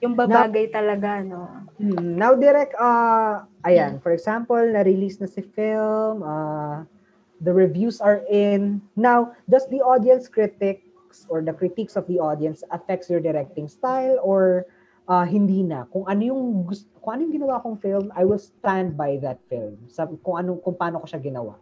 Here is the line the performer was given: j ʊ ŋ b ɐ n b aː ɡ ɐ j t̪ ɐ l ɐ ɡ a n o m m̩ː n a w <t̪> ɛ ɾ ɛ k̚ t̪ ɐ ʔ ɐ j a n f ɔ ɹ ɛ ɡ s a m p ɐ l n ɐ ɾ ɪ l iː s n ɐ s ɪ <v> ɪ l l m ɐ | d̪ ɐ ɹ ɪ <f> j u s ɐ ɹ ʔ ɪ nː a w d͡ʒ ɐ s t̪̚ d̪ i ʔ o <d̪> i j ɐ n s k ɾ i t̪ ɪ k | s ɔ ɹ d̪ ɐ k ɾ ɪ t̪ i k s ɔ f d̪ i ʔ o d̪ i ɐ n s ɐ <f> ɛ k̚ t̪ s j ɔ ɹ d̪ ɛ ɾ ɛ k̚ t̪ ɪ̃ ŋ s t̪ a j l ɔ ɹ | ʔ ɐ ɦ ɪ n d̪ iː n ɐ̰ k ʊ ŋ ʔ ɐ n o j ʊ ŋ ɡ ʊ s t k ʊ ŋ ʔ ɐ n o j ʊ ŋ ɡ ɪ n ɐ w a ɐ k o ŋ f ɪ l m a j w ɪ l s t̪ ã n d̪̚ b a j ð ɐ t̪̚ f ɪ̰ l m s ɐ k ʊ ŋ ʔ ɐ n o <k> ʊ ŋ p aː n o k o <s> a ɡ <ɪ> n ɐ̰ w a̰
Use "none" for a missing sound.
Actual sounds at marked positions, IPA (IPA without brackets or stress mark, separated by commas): d̪, f, v, d̪, f, k, ʃ, ɪ